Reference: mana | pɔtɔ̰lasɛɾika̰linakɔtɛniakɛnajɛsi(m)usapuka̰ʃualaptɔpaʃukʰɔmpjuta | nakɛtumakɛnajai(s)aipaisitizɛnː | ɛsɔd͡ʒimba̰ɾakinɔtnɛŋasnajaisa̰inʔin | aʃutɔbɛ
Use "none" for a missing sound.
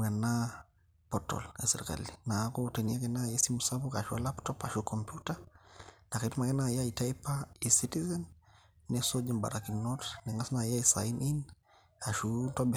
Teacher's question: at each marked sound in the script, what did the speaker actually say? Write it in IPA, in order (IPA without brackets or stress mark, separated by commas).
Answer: m, t